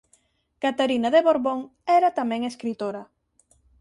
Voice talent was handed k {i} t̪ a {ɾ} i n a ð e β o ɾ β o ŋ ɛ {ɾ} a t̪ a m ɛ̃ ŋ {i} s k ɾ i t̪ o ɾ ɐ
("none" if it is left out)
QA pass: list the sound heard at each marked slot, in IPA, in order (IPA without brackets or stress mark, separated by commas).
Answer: a, ɾ, ɾ, e